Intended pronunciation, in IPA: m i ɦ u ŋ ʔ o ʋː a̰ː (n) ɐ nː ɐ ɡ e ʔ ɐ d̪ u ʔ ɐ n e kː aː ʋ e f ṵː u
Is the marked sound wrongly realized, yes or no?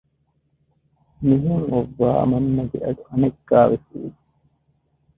yes